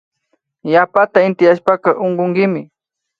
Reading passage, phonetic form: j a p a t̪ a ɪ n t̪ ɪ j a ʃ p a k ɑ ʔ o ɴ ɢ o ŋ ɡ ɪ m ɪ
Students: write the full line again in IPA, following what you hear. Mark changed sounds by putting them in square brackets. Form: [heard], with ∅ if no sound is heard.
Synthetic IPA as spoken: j a p a t̪ a ɪ n t̪ ɪ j a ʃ p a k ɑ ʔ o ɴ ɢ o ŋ ɡ ɪ m ɪ